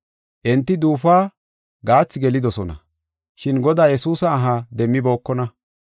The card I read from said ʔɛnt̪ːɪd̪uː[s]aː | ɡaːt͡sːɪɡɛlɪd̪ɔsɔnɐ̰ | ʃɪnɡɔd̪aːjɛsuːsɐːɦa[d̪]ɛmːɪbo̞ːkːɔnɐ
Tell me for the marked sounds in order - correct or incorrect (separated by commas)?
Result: incorrect, correct